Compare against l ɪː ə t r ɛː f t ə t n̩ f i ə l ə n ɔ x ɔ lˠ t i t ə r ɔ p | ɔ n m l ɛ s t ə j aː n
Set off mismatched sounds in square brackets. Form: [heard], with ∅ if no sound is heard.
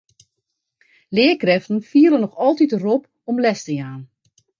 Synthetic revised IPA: l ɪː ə [k] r [ɛ] f t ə [∅] n̩ f i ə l ə n ɔ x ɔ lˠ t i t ə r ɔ p | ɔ [∅] m l ɛ s t ə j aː n